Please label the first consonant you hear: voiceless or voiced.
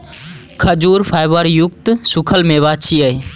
voiceless